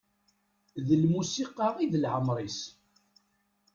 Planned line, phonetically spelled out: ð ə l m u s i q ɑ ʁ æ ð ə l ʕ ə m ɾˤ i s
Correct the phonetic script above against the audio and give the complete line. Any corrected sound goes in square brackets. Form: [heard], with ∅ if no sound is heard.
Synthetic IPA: ð ə l m u s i q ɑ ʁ [i] ð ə l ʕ ə m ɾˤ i s